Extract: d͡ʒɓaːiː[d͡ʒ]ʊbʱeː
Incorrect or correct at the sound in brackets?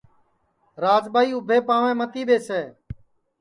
incorrect: none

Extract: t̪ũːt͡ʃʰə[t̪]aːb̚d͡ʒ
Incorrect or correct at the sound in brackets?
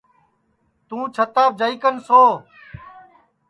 correct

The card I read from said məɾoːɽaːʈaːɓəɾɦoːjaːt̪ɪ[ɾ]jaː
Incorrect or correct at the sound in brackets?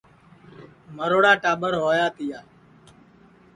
incorrect: none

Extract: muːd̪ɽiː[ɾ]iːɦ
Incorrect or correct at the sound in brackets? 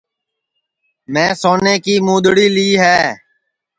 incorrect: l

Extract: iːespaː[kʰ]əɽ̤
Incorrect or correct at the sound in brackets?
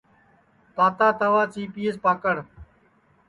incorrect: k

